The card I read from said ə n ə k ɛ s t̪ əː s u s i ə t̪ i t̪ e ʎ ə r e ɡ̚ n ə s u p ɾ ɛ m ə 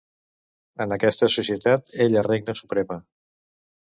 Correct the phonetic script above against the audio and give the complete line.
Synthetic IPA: ə n ə k ɛ s t̪ ə s u s i ə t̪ a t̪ e ʎ ə r e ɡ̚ n ə s u p ɾ ɛ m ə